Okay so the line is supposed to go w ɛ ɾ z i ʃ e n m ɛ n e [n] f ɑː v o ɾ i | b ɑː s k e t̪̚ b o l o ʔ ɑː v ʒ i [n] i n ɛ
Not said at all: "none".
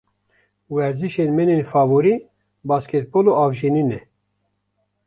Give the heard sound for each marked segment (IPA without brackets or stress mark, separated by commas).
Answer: n, n